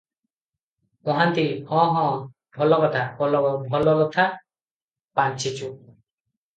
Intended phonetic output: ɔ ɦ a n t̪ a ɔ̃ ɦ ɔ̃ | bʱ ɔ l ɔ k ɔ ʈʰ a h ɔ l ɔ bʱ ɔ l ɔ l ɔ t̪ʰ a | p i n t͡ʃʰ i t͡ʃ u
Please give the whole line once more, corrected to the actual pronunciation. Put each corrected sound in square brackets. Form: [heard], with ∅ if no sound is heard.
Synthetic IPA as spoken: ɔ ɦ a n t̪ [i] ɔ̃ ɦ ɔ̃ | bʱ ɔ l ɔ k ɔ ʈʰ a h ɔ l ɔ bʱ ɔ l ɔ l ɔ t̪ʰ a | p [a] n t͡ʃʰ i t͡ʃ u

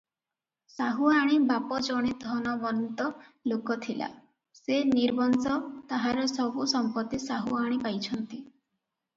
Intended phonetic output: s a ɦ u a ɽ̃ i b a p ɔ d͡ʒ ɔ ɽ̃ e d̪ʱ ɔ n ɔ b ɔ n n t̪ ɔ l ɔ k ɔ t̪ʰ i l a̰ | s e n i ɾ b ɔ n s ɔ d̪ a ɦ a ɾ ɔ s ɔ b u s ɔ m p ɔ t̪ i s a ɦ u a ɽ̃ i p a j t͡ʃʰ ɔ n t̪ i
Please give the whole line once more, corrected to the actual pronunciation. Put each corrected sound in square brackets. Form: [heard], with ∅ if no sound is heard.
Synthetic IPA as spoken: s a ɦ u a ɽ̃ i b a p ɔ d͡ʒ ɔ ɽ̃ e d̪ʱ ɔ n ɔ b ɔ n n t̪ ɔ l [o] k ɔ t̪ʰ i l a̰ | s e n i ɾ b ɔ n s ɔ [t̪] a ɦ a ɾ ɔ s ɔ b u s ɔ m p ɔ t̪ i s a ɦ u a ɽ̃ i p a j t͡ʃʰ ɔ n t̪ i

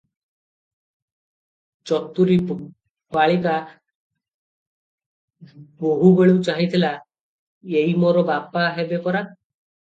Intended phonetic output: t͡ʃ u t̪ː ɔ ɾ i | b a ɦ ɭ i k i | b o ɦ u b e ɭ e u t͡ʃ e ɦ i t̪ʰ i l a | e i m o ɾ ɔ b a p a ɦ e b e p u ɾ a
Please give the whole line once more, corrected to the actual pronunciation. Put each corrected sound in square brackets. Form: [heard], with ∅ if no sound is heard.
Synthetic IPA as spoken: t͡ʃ [ɔ] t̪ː [u] ɾ i | b a [∅] ɭ i k [a] | b o ɦ u b e ɭ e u t͡ʃ [a] ɦ i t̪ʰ i l a | e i m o ɾ ɔ b a p a ɦ e b e p [ɔ] ɾ a

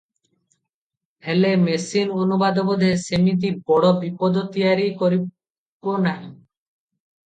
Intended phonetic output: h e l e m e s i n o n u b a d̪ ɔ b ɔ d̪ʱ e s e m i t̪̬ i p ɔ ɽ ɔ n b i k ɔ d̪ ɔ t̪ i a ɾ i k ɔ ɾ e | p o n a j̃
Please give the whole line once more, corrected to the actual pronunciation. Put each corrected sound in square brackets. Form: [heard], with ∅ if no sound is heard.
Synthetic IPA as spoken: h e l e m e s i n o n u b a d̪ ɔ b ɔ d̪ʱ e s e m i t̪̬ i [b] ɔ ɽ ɔ [∅] b i [p] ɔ d̪ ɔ t̪ i a ɾ i k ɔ ɾ [i] | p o n a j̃

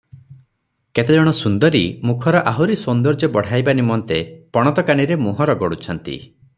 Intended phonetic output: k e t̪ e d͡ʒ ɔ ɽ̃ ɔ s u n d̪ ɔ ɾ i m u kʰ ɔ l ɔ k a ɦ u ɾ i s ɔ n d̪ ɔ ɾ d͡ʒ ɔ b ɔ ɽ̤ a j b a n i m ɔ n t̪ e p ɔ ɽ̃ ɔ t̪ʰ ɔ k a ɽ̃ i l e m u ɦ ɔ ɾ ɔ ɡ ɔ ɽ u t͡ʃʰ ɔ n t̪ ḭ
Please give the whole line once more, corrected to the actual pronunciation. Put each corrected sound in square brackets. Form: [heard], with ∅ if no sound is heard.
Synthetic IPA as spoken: k e t̪ e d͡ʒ ɔ ɽ̃ ɔ s u n d̪ ɔ ɾ i m u kʰ ɔ [ɾ] ɔ [ʔ] a ɦ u ɾ i s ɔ n d̪ ɔ ɾ d͡ʒ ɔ b ɔ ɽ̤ a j b a n i m ɔ n t̪ e p ɔ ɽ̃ ɔ [t̪] ɔ k a ɽ̃ i [ɾ] e m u ɦ ɔ ɾ ɔ ɡ ɔ ɽ u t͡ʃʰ ɔ n t̪ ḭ

